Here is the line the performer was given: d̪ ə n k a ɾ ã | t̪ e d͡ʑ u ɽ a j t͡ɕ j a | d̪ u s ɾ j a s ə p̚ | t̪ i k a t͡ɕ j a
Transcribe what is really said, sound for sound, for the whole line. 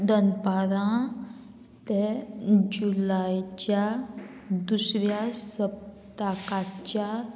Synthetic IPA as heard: d̪ ə n p a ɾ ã | t̪ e d͡ʑ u l a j t͡ɕ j a | d̪ u s ɾ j a s ə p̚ | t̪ a k a t͡ɕ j a